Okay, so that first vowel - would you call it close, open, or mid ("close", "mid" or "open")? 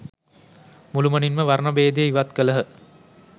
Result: close